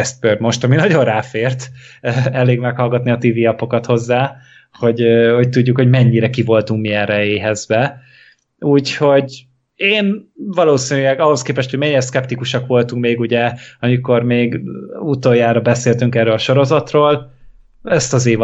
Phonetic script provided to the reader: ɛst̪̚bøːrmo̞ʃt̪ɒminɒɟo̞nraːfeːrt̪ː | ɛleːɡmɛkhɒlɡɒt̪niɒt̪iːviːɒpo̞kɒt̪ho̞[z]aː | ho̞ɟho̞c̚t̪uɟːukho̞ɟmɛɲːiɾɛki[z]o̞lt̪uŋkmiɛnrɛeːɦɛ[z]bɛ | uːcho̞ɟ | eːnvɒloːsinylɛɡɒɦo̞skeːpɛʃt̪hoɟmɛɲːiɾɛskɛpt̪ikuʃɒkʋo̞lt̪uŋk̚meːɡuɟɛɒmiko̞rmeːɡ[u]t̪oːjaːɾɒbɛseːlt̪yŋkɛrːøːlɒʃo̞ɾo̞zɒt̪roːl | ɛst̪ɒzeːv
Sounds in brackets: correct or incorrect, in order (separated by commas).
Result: incorrect, incorrect, correct, correct